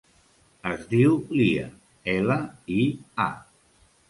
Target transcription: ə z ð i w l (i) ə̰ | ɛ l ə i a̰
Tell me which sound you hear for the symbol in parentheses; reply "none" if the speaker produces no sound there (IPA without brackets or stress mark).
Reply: i